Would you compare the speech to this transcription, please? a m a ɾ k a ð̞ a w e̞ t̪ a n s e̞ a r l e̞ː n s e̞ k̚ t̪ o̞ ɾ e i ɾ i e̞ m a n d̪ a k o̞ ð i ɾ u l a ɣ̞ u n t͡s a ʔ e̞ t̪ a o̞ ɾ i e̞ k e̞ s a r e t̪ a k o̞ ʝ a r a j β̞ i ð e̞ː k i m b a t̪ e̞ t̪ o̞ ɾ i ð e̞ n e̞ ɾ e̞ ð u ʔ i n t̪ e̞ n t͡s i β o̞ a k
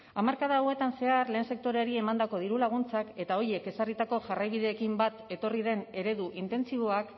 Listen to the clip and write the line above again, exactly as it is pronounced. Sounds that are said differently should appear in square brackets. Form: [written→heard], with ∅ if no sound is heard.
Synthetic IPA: a m a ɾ k a ð̞ a w e̞ t̪ a n s e̞ a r l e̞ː n s e̞ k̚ t̪ o̞ ɾ e [i→a] ɾ i e̞ m a n d̪ a k o̞ ð i ɾ u l a ɣ̞ u n t͡s a [ʔ→k] e̞ t̪ a o̞ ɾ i e̞ k e̞ s a r [e→i] t̪ a k o̞ ʝ a r a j β̞ i ð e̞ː k i m b a t̪ e̞ t̪ o̞ [ɾ→r] i ð e̞ n e̞ ɾ e̞ ð u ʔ i n t̪ e̞ n t͡s i β o̞ a k